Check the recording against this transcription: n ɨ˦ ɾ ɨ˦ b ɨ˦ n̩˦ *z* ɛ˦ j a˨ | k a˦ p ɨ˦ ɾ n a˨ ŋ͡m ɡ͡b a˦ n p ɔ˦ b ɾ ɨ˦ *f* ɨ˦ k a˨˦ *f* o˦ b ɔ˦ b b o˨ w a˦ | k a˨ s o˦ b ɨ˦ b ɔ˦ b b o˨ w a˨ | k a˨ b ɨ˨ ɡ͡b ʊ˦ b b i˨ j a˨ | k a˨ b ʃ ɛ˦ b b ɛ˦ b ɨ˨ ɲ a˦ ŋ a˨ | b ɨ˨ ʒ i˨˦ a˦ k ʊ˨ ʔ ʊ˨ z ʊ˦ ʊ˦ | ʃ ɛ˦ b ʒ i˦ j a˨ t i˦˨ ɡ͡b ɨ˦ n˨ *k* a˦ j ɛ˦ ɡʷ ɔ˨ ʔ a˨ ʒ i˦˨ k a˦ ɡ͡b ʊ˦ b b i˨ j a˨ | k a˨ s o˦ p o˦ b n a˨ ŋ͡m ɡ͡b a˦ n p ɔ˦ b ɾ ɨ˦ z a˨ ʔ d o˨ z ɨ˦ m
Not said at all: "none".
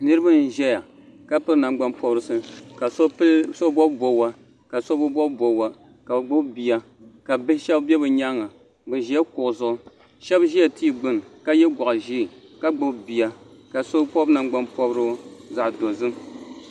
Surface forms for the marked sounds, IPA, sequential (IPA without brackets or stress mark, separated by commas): ʒ, s, s, k